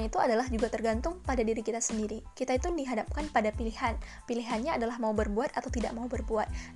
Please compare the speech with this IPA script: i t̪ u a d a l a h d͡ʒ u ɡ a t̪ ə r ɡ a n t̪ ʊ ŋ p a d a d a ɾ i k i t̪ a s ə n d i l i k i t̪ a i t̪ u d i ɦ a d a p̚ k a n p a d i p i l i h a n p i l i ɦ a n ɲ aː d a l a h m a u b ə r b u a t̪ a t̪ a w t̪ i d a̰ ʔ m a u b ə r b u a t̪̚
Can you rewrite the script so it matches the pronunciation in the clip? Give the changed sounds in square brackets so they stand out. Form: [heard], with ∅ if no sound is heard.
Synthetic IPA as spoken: i t̪ u a d a l a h d͡ʒ u ɡ a t̪ ə r ɡ a n t̪ ʊ ŋ p a d a d [i] ɾ i k i t̪ a s ə n d i [ɾ] i k i t̪ a i t̪ u d i ɦ a d a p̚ k a n p a d [a] p i l i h a n p i l i ɦ a n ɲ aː d a l a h m a u b ə r b u a t̪ a t̪ a w t̪ i d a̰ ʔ m a u b ə r b u a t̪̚